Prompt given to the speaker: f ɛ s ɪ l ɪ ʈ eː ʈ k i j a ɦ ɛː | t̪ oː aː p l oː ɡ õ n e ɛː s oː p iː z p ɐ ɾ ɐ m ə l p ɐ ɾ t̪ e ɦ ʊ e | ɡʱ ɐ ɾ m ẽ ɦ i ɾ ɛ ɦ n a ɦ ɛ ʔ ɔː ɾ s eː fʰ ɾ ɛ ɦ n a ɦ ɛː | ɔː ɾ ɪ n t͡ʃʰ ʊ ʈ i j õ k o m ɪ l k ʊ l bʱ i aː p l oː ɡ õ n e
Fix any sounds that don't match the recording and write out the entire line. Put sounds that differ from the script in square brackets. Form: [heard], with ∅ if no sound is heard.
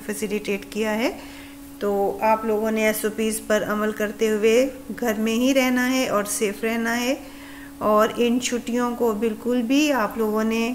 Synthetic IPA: f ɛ s ɪ l ɪ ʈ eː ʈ k i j a ɦ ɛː | t̪ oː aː p l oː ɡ õ n e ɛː s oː p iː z p ɐ ɾ ɐ m ə l [k] ɐ ɾ t̪ e ɦ ʊ e | ɡʱ ɐ ɾ m ẽ ɦ i ɾ ɛ ɦ n a ɦ ɛ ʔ ɔː ɾ s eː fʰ ɾ ɛ ɦ n a ɦ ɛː | ɔː ɾ ɪ n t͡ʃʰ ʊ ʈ i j õ k o [b] ɪ l k ʊ l bʱ i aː p l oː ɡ õ n e